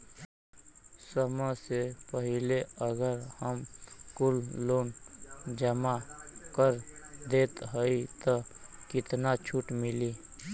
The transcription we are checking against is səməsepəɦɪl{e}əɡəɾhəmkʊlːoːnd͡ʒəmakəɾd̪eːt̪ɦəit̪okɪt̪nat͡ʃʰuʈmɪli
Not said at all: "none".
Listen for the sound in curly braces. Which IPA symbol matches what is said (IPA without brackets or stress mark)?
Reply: e